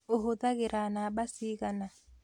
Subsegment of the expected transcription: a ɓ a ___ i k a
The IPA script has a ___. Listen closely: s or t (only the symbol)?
s